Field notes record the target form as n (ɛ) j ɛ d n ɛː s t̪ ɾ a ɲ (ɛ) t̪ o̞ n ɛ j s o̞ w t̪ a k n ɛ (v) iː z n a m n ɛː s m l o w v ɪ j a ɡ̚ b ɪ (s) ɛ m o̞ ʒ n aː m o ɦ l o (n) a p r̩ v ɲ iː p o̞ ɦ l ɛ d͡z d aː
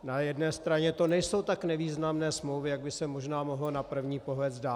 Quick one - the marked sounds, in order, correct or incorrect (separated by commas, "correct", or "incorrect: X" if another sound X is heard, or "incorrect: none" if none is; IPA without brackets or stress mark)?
incorrect: a, correct, correct, correct, correct